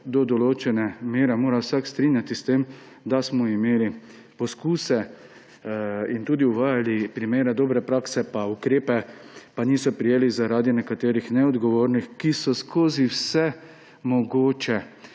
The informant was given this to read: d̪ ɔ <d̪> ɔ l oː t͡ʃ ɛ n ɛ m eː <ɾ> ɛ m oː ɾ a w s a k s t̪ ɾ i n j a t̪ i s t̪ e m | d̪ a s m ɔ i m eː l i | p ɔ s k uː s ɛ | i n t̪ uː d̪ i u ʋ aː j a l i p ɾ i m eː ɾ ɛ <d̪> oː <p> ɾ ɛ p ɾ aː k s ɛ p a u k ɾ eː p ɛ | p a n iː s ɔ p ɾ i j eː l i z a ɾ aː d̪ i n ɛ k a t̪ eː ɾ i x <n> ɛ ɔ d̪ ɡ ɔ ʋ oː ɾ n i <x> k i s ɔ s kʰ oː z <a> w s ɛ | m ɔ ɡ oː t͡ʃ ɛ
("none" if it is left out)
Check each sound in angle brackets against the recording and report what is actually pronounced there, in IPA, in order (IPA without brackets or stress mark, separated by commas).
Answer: d̪, ɾ, d̪, b, n, x, i